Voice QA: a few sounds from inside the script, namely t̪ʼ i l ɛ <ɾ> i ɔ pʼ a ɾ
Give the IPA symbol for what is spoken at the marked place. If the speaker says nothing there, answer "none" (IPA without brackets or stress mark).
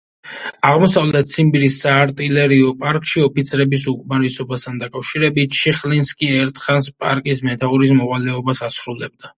ɾ